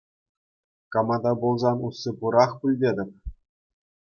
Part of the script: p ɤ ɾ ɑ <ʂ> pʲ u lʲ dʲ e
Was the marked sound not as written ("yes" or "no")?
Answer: yes